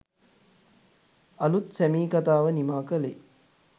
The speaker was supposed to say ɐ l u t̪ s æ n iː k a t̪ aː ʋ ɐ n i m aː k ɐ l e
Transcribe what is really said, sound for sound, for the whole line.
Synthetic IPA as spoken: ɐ l u t̪ s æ m iː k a t̪ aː ʋ ə n i m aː k ə l e